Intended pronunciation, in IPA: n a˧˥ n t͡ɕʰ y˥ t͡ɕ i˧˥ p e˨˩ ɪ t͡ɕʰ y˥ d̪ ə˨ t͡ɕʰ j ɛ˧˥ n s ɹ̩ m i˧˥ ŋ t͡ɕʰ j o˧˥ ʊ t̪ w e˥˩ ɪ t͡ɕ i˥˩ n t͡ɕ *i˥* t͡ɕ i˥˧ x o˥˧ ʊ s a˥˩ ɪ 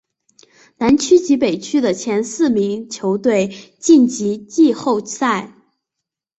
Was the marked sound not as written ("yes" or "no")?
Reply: yes